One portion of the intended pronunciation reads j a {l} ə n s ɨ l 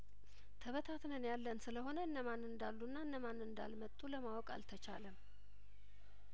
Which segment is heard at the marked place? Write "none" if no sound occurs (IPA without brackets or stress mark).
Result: lː